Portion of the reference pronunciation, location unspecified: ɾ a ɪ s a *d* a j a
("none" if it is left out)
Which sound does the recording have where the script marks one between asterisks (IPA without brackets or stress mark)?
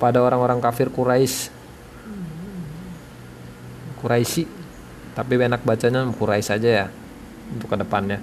d͡ʒ